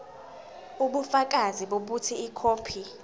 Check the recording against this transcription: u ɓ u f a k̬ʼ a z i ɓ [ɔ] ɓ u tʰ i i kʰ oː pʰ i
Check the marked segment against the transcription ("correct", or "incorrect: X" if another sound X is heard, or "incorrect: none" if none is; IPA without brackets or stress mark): incorrect: o